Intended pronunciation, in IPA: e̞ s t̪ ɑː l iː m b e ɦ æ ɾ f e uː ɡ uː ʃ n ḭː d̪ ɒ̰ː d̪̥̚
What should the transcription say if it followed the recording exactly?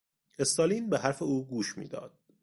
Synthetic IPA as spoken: e̞ s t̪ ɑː l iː n b e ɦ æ ɾ f e uː ɡ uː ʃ m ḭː d̪ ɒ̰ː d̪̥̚